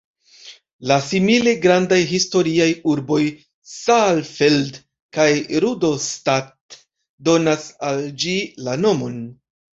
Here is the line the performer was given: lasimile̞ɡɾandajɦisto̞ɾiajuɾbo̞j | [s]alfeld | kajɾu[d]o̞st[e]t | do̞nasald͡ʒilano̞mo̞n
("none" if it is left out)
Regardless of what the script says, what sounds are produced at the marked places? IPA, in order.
s, d, a

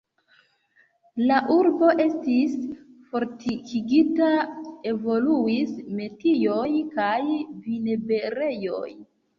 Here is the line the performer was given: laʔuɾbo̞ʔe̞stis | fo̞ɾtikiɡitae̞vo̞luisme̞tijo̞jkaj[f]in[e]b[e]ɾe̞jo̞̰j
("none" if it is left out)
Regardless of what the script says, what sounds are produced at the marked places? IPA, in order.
v, e, e

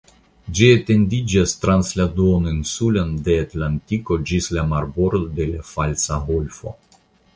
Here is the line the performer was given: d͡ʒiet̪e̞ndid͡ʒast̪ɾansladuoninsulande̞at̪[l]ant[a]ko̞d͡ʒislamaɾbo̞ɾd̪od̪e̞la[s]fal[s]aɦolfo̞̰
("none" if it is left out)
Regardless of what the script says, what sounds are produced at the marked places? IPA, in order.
l, i, none, s

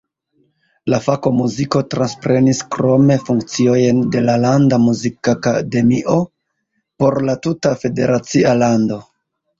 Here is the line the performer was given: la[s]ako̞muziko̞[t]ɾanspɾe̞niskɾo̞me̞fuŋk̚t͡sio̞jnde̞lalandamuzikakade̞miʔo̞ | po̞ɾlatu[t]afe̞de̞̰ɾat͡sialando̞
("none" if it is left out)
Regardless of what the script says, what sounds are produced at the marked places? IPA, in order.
f, t, t

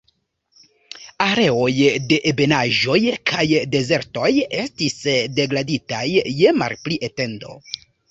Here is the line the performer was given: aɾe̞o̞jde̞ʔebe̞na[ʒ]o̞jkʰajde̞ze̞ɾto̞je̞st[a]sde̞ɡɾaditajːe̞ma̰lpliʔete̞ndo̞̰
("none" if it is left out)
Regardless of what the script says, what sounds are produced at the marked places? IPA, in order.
ʒ, i

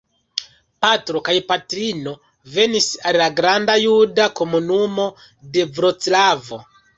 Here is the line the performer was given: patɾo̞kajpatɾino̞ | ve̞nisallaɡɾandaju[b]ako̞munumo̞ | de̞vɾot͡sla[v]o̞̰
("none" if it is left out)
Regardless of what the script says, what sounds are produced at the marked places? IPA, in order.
d, v

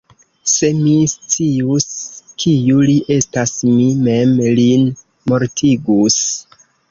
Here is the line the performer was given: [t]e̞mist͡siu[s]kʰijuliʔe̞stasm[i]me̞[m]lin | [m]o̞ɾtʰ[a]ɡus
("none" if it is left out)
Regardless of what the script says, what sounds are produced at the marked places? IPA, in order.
s, s, i, m, m, i

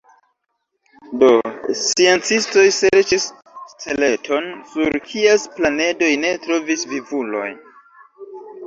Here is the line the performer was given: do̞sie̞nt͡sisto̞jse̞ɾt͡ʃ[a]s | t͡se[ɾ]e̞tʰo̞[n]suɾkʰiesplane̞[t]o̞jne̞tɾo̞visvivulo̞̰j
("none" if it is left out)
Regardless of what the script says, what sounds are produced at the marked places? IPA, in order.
i, l, n, d

